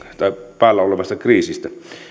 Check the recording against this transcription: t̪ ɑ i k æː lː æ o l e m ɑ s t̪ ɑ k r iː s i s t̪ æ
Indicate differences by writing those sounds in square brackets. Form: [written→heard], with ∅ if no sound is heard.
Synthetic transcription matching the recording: t̪ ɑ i [k→p] æː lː æ o l e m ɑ s t̪ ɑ k r iː s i s t̪ æ